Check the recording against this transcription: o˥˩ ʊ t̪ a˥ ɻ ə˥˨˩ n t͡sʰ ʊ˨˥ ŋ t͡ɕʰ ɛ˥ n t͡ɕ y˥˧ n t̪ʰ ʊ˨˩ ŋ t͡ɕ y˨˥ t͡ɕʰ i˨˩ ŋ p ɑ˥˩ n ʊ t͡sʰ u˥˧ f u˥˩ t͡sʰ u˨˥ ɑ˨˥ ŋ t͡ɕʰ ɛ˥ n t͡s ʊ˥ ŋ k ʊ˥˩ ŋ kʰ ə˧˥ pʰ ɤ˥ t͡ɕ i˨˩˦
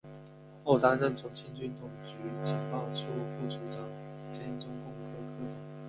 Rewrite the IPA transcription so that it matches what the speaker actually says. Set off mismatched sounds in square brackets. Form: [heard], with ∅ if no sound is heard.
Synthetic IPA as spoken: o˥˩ ʊ t̪ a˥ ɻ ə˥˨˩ n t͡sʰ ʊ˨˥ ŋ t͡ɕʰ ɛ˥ n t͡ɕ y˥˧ n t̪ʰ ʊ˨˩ ŋ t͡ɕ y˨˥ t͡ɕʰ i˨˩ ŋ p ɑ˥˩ [∅] ʊ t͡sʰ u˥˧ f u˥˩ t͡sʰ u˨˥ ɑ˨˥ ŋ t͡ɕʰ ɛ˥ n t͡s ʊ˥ ŋ k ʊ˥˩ ŋ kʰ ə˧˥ [kʰ] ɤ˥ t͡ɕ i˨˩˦